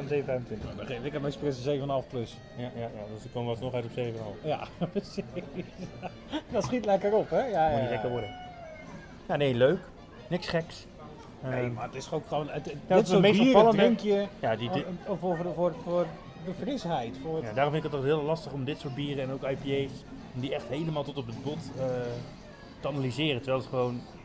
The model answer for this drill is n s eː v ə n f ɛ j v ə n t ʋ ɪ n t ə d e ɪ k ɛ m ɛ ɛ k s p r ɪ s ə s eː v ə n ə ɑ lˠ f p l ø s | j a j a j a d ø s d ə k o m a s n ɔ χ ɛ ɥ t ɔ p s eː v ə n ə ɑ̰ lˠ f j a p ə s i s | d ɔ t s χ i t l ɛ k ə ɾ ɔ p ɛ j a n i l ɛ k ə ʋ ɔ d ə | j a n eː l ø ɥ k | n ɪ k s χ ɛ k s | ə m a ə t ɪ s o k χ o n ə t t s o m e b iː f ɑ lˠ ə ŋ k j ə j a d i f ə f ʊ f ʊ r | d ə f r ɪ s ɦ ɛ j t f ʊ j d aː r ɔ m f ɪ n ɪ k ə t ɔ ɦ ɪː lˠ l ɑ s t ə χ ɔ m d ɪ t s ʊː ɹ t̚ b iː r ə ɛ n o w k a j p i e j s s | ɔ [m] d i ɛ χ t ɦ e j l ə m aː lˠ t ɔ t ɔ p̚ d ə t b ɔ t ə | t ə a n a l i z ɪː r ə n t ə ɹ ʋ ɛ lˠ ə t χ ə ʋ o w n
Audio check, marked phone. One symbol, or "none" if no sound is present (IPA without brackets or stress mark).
m